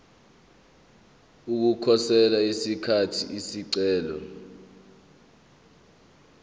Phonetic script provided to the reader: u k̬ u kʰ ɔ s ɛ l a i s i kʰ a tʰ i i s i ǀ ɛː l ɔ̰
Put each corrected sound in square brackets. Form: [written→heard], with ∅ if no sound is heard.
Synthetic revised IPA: u k̬ u kʰ ɔ s ɛ l a i s i kʰ a tʰ i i s i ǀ ɛː l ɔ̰